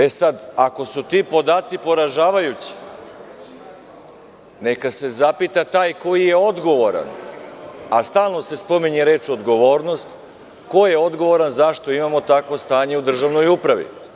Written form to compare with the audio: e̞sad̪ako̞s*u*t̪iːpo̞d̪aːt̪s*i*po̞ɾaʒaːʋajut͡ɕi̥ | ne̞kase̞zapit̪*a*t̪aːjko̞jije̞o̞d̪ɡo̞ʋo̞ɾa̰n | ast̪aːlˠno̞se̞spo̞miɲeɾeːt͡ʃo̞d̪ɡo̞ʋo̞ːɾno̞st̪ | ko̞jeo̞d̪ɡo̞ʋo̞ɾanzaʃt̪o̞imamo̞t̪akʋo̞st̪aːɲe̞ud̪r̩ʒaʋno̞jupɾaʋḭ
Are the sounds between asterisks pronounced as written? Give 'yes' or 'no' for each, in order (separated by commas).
yes, yes, yes